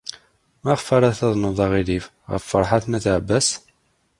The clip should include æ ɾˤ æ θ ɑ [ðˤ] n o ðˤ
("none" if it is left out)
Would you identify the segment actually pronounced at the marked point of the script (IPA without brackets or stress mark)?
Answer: ðˤ